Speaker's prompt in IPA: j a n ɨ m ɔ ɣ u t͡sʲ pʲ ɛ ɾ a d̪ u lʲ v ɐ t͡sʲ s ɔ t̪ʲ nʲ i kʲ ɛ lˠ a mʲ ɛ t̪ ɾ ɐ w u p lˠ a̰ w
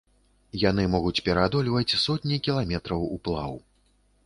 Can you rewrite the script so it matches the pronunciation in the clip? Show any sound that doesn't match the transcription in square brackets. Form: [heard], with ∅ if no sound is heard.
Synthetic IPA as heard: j a n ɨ m ɔ ɣ u t͡sʲ pʲ ɛ ɾ a d̪ [ɔ] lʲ v ɐ t͡sʲ s ɔ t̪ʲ nʲ i kʲ [i] lˠ a mʲ ɛ t̪ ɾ ɐ w u p lˠ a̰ w